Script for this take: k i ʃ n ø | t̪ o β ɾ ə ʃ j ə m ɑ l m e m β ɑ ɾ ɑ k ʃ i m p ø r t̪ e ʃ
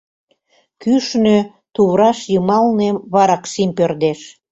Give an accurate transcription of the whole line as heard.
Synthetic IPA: k y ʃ n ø | t̪ u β ɾ ɑ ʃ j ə m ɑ l n e m β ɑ ɾ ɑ k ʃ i m p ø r d̪ e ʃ

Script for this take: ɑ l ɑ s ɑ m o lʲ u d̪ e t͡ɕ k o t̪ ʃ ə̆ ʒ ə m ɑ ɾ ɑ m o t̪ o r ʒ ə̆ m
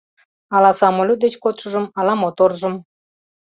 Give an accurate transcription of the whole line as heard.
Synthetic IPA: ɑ l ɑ s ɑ m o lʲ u d̪ e t͡ɕ k o t̪ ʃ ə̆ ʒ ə m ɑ l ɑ m o t̪ o r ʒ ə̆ m

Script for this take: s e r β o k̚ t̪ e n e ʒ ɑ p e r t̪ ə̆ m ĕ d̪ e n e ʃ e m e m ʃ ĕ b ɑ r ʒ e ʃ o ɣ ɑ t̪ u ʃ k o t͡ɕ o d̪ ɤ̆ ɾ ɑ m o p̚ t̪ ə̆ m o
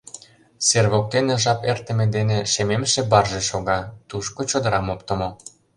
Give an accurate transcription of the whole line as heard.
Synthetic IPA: s e r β o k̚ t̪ e n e ʒ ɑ p e r t̪ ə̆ m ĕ d̪ e n e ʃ e m e m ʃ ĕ b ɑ r ʒ e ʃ o ɣ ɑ t̪ u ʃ k o t͡ɕ o d̪ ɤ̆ ɾ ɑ m o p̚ t̪ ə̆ m o

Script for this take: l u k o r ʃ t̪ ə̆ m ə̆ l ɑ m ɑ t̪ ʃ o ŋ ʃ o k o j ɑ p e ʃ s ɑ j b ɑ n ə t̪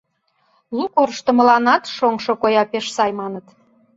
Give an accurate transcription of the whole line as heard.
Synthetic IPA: l u k o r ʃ t̪ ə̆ m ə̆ l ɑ n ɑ t̪ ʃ o ŋ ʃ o k o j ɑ p e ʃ s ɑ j m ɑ n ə t̪

